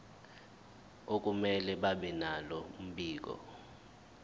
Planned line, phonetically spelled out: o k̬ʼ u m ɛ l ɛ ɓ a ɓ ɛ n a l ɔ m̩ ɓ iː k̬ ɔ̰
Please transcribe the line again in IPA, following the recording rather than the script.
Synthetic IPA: o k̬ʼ u m ɛ l ɛ ɓ a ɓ ɛ n a l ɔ m̩ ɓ iː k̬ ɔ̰